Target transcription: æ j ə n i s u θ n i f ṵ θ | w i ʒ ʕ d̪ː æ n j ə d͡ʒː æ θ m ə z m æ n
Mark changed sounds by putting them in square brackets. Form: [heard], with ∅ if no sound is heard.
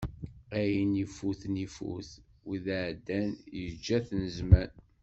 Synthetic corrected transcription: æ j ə n i [f] u θ n i f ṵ θ | w i [ð] ʕ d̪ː æ n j ə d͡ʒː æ θ [n] ə z m æ n